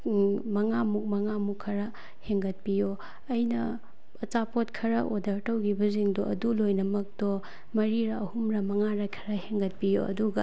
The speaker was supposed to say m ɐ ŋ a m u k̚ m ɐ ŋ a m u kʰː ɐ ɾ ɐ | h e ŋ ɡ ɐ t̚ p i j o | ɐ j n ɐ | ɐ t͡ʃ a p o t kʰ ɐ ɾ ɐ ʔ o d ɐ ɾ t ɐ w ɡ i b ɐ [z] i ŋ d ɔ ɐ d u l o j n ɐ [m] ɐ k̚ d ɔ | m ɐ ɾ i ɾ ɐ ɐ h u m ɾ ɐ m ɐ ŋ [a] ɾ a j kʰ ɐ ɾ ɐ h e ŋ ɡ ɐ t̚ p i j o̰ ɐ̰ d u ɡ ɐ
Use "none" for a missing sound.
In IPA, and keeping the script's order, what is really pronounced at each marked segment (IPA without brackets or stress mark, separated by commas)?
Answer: z, m, a